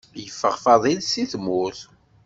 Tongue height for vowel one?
mid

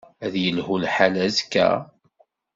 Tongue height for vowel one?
low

